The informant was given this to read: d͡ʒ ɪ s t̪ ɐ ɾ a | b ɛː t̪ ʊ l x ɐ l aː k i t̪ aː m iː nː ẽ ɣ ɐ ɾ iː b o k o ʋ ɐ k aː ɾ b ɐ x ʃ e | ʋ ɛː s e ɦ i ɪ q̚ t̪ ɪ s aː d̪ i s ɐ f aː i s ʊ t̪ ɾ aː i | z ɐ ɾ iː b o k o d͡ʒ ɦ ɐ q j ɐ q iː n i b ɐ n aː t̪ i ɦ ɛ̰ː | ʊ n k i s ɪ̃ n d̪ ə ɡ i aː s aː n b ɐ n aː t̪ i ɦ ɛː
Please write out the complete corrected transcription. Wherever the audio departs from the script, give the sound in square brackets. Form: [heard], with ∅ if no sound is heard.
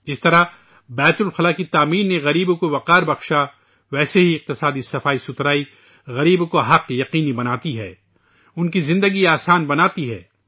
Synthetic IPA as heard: d͡ʒ ɪ s t̪ ɐ ɾ a | b ɛː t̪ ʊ l x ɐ l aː k i t̪ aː m iː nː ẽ ɣ ɐ ɾ iː b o k o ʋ ɐ [q] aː ɾ b ɐ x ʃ [a] | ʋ ɛː s e ɦ i ɪ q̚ t̪ ɪ s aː d̪ i s ɐ f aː i s ʊ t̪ ɾ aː i | [ɣ] ɐ ɾ iː b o k o [∅] ɦ ɐ q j ɐ q iː n i b ɐ n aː t̪ i ɦ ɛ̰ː | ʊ n k i [z] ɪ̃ n d̪ ə ɡ i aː s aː n b ɐ n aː t̪ i ɦ ɛː

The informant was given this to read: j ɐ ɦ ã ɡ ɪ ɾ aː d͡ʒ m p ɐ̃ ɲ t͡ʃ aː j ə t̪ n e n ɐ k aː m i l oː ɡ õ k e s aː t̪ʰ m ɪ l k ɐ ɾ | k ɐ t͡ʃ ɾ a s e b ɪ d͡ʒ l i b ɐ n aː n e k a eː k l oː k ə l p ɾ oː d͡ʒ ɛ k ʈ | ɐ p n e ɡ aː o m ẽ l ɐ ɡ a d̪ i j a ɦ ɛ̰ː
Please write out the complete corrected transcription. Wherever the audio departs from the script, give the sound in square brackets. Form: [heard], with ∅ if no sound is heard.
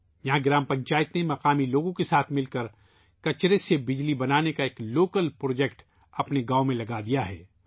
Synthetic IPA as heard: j ɐ ɦ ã ɡ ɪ ɾ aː [∅] m p ɐ̃ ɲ t͡ʃ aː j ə t̪ n e [m] ɐ [q] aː m i l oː ɡ õ k e s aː t̪ʰ m ɪ l k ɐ ɾ | k ɐ t͡ʃ ɾ [e] s e b ɪ d͡ʒ l i b ɐ n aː n e k a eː k l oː k ə l p ɾ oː d͡ʒ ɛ k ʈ | ɐ p n e ɡ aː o m ẽ l ɐ ɡ a d̪ i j a ɦ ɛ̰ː

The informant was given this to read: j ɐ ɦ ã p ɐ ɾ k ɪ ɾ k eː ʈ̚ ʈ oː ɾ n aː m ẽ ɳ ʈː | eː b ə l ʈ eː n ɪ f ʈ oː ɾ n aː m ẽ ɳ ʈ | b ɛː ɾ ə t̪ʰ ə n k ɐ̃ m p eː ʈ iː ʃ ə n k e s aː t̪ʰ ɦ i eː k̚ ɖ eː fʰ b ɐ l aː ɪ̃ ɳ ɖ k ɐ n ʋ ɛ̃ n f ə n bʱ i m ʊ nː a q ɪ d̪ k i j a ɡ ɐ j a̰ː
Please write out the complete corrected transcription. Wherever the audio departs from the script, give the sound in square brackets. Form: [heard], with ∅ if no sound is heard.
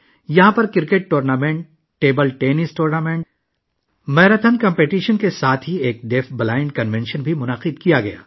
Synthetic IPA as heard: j ɐ ɦ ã p ɐ ɾ k ɪ ɾ k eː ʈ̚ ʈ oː ɾ n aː m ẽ ɳ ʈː | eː b ə l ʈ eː n ɪ [s] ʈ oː ɾ n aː m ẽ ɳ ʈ | [m] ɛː ɾ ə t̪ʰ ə n k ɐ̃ m p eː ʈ iː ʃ ə n k e s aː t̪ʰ ɦ i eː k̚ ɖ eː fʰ b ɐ l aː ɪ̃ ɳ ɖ k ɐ n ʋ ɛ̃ n [ʃ] ə n bʱ i m ʊ [n] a q ɪ d̪ k i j a ɡ ɐ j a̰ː

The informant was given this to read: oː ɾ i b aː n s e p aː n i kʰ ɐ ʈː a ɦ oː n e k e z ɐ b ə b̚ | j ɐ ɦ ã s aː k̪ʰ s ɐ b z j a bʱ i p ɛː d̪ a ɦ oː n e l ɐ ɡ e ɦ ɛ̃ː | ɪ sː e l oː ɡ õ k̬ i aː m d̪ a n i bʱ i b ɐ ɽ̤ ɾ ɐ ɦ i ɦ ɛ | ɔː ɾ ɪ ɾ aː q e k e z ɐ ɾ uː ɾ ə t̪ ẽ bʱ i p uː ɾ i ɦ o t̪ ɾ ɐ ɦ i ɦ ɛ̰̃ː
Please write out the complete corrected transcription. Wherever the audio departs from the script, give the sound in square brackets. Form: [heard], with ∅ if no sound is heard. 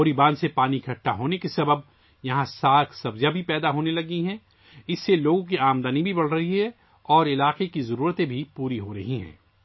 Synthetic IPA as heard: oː ɾ i b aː n s e p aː n i kʰ ɐ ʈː a ɦ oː n e k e [s] ɐ b ə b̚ | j ɐ ɦ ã s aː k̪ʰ s ɐ b z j a bʱ i p ɛː d̪ a ɦ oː n e l ɐ ɡ [i] ɦ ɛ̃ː | ɪ sː e l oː ɡ õ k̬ i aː m d̪ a n i bʱ i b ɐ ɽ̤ ɾ ɐ ɦ i ɦ ɛ | ɔː ɾ ɪ [l] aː q e k [i] z ɐ ɾ uː ɾ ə t̪ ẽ bʱ i p uː ɾ i ɦ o [∅] ɾ ɐ ɦ i ɦ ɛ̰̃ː

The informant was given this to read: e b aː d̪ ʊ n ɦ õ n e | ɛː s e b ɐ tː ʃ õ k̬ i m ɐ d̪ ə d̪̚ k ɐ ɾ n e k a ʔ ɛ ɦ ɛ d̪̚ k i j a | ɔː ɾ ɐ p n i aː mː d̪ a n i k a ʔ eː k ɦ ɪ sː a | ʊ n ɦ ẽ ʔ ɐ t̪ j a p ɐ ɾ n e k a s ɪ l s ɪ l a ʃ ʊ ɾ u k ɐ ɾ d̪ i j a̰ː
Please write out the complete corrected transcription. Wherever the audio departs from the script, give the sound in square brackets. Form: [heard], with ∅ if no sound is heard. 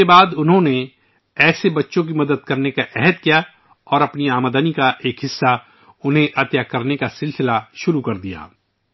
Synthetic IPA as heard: e b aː d̪ ʊ n ɦ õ n e | ɛː s e b ɐ tː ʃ õ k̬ i m ɐ d̪ ə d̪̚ k ɐ ɾ n e k a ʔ ɛ ɦ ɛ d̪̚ k i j a | ɔː ɾ ɐ p n i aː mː d̪ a n i k a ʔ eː k ɦ ɪ sː a | ʊ n ɦ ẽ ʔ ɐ t̪ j a [k] ɐ ɾ n e k a s ɪ l s ɪ l a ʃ ʊ ɾ u k ɐ ɾ d̪ i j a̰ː

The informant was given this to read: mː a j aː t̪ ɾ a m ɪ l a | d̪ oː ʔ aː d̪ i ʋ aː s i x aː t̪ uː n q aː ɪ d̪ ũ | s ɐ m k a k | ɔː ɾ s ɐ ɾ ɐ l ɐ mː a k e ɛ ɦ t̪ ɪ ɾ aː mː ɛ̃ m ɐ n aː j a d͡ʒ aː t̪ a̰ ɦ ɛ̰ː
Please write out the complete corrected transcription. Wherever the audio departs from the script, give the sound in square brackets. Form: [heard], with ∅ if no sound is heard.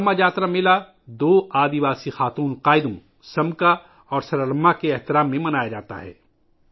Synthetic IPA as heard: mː a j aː t̪ ɾ a m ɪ l a | d̪ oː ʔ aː d̪ i ʋ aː s i x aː t̪ uː n q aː ɪ d̪ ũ | s ɐ m k a [∅] | ɔː ɾ s ɐ ɾ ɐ l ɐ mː a k e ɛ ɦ t̪ ɪ ɾ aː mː [ẽ] m ɐ n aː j a d͡ʒ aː t̪ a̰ ɦ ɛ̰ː

